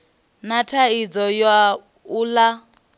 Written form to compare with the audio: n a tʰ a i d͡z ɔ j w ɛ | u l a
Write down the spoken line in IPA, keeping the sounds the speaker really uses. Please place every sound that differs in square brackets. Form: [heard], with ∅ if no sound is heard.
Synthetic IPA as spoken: n a tʰ a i d͡z ɔ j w [a] | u l a